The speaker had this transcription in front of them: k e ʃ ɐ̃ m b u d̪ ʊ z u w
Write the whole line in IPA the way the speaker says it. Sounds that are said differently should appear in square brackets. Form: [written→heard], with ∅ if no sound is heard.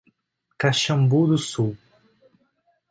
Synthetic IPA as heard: k [e→a] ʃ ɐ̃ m b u d̪ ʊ [z→s] u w